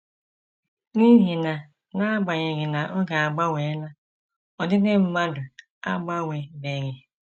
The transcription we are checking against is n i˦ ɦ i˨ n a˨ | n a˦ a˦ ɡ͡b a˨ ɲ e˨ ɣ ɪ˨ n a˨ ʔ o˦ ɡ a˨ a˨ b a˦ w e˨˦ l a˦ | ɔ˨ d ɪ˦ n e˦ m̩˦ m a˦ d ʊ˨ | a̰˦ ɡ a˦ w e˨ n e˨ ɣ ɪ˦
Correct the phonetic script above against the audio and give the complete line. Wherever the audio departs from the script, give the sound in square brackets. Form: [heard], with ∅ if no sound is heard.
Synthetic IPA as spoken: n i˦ ɦ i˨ n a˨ | n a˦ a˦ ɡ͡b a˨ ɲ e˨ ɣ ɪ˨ n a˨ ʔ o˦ ɡ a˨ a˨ [ɡ͡b] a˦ w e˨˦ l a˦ | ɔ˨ d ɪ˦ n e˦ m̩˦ m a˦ d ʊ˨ | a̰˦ [ɡ͡b] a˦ w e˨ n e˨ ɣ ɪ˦